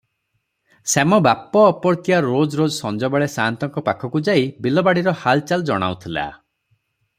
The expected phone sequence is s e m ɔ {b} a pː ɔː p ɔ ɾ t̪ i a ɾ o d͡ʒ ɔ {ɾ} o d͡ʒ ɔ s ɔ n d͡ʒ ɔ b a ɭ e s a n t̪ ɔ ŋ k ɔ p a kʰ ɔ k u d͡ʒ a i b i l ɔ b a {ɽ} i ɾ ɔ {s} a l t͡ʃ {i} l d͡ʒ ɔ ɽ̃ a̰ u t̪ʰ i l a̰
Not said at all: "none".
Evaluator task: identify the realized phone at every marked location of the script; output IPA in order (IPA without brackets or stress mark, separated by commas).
b, ɾ, ɽ, h, a